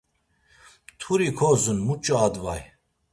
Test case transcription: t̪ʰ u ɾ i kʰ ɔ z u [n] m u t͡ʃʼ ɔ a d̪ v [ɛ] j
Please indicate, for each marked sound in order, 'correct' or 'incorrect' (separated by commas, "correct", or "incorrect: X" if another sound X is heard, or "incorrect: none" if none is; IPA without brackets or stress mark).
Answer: correct, incorrect: a